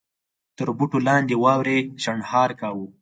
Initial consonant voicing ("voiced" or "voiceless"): voiceless